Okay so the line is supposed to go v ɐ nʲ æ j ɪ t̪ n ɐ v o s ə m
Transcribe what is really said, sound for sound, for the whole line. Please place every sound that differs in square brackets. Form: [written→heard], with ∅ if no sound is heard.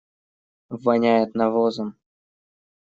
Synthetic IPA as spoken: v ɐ nʲ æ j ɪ t̪ n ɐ v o [s→z] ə m